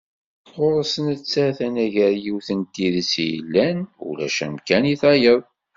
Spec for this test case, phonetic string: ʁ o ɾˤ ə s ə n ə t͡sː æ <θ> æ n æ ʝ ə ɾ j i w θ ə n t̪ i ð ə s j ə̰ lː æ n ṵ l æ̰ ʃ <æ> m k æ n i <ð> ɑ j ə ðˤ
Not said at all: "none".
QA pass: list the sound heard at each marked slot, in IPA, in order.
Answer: θ, æ, θ

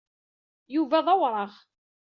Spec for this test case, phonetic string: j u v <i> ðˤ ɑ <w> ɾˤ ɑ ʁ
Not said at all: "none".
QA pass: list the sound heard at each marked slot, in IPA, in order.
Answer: æ, w

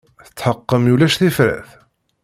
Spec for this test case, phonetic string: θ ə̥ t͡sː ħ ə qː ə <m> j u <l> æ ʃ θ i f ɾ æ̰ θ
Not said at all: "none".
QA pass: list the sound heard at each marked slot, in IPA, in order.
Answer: m, l

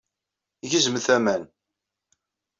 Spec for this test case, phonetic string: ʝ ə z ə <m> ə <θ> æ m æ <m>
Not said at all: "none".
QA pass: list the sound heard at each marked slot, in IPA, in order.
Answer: m, θ, n

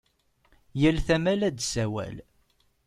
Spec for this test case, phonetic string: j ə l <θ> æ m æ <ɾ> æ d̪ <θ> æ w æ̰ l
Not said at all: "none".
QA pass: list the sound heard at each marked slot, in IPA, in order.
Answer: θ, l, s

